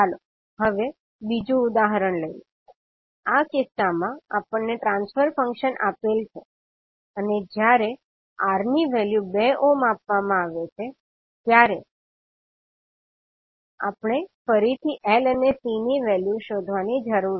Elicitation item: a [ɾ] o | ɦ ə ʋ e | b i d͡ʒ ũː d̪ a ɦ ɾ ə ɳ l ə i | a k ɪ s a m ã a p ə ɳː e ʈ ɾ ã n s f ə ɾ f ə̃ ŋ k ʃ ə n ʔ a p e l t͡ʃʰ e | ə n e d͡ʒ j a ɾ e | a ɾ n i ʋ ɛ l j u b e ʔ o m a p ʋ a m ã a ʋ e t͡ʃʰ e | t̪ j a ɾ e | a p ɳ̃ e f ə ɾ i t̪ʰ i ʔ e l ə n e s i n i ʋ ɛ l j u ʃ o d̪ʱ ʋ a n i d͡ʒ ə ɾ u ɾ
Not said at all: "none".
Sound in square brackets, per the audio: l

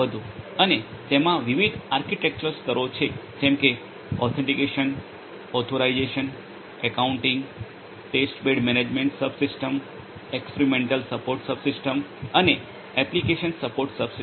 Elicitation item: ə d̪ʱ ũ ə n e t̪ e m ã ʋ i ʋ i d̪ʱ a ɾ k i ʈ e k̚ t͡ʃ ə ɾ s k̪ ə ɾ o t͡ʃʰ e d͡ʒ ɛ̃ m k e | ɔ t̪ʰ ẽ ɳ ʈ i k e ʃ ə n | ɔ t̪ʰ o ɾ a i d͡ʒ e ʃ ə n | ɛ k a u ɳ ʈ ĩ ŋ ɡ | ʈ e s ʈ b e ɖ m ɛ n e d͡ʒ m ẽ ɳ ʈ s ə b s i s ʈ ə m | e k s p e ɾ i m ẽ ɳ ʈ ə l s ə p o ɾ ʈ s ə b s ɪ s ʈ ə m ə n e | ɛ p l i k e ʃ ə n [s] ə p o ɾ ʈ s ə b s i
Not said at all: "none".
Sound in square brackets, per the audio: s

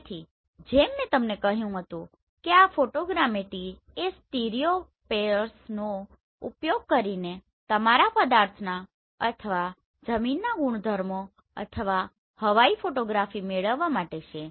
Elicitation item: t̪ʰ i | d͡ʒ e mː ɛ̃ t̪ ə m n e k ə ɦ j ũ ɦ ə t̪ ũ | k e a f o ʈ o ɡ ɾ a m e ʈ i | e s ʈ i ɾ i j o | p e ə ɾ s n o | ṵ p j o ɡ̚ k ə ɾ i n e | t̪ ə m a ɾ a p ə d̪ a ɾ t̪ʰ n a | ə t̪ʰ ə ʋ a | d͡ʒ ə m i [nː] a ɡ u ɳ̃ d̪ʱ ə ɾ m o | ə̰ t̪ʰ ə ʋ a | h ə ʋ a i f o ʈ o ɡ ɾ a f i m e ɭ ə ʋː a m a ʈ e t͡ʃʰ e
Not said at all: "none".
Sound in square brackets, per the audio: nː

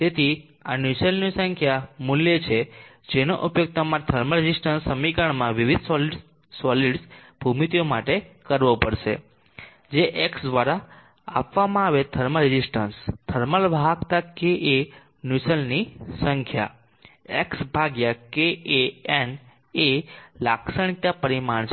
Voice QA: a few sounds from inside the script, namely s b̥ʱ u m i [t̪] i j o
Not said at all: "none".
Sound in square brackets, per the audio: t̪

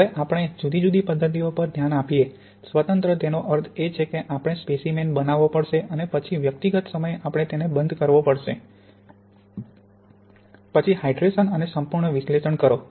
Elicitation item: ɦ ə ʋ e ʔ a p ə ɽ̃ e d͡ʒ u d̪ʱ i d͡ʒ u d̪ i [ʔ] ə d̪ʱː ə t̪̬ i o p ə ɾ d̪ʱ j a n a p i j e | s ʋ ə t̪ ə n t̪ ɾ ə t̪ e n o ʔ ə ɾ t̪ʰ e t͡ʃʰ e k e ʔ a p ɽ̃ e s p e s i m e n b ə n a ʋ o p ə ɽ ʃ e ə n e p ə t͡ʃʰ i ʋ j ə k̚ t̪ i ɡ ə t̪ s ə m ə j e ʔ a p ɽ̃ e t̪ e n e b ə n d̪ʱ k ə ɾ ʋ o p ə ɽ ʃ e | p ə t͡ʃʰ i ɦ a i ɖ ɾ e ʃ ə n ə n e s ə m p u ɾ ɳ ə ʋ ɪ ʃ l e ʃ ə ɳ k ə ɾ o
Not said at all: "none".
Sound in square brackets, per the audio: p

